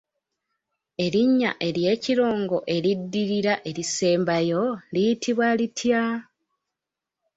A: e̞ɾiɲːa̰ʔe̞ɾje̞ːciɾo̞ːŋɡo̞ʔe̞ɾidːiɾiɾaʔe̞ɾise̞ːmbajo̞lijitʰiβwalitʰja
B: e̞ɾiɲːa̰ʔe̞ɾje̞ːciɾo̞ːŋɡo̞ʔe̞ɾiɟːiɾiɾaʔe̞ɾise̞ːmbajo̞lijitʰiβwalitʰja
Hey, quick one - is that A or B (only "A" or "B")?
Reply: A